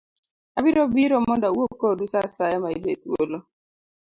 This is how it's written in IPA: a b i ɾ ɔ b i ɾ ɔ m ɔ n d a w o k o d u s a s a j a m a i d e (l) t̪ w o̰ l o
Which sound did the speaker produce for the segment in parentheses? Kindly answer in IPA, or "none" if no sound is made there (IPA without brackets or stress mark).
none